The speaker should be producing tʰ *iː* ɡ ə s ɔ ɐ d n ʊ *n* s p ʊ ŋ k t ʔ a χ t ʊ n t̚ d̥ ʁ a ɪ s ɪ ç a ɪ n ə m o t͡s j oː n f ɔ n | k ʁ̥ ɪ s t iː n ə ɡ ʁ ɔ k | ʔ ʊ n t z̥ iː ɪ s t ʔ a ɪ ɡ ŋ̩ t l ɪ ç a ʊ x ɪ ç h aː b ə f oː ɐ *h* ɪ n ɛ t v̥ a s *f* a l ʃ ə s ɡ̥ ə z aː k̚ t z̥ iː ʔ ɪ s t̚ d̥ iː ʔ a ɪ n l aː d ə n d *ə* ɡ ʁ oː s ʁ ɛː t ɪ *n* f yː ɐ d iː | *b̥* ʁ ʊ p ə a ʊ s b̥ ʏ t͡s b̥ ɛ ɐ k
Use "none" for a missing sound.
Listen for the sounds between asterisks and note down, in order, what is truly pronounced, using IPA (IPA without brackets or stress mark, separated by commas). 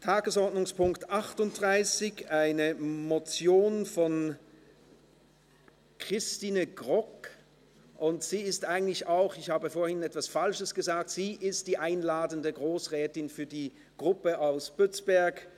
aː, ŋ, h, f, ə, n, ɡ̥